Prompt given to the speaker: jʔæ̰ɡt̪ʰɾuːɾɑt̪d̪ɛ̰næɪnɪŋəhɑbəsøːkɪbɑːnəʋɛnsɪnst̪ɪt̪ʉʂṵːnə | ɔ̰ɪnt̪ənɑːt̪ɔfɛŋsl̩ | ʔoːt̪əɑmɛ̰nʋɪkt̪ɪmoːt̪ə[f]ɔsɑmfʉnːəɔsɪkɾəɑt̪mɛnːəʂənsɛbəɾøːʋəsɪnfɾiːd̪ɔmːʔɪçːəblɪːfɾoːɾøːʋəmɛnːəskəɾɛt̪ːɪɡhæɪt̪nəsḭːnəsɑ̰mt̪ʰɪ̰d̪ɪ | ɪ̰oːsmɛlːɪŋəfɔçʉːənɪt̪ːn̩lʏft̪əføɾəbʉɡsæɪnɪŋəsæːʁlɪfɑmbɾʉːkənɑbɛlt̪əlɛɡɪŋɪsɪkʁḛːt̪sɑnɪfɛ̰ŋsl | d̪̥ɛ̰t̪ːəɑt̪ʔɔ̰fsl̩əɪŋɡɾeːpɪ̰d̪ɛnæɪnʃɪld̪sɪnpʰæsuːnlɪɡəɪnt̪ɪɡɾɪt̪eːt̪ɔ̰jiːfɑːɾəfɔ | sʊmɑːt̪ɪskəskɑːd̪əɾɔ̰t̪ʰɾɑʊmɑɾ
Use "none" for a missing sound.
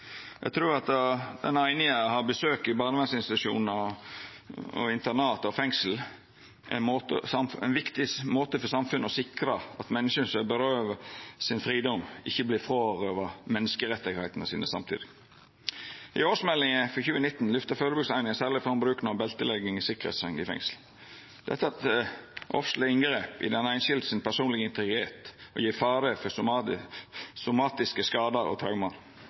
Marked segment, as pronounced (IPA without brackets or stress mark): f